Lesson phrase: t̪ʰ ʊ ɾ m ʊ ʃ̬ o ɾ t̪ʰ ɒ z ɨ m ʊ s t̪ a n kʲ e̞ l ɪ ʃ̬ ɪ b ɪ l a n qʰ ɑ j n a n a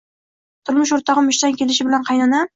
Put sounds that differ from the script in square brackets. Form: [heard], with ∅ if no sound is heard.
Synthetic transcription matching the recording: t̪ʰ ʊ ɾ m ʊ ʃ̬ o ɾ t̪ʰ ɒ [ʁ] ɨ m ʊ [ʃ] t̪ a n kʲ e̞ l ɪ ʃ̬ ɪ b ɪ l a n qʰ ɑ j n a n a